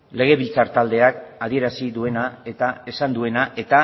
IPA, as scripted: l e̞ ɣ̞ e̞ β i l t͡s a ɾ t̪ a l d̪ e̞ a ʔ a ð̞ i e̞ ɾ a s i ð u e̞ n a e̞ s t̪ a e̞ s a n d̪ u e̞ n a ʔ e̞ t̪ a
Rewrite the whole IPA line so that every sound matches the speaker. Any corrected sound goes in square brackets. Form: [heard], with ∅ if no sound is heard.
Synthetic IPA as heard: l e̞ ɣ̞ e̞ β i l t͡s a ɾ t̪ a l d̪ e̞ a [k] a ð̞ i e̞ ɾ a s i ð u e̞ n a e̞ [∅] t̪ a e̞ s a n d̪ u e̞ n a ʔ e̞ t̪ a

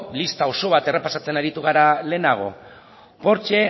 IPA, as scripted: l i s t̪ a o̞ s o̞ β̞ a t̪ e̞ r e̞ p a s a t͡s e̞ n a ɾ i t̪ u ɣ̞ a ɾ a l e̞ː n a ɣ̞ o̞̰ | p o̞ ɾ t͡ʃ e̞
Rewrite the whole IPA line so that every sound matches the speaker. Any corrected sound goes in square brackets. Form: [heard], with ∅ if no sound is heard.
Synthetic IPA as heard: l i s t̪ a o̞ s o̞ β̞ a t̪ e̞ r e̞ p a s a t͡s e̞ n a ɾ i t̪ u ɣ̞ a ɾ a l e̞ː n a ɣ̞ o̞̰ | p o̞ ɾ t͡ʃ e̞

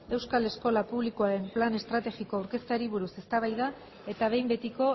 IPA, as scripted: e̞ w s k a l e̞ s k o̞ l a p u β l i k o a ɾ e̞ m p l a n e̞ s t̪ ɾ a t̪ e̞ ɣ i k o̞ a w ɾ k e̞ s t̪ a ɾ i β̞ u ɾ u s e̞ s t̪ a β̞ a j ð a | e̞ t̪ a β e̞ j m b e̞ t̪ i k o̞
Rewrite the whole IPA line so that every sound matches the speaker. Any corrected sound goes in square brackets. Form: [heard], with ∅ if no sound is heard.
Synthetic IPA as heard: e̞ w s k a l e̞ s k o̞ l a p u β l i k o a ɾ e̞ m p l a n e̞ s t̪ ɾ a t̪ e̞ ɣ i k o̞ a w ɾ k e̞ s t̪ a ɾ i β̞ u ɾ u s e̞ s t̪ a β̞ a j ð a | e̞ t̪ a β e̞ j m b e̞ t̪ i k o̞

